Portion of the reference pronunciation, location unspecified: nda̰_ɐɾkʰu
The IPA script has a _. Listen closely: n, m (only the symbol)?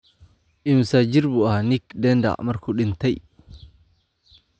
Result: m